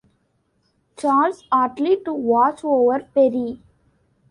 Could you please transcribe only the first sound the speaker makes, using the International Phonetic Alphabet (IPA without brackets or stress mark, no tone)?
t͡ʃ